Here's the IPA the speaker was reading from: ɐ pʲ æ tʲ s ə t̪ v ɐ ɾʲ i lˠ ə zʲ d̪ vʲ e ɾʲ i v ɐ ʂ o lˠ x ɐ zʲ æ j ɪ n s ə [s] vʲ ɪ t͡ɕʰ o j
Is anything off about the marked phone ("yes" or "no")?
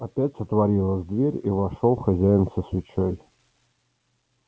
no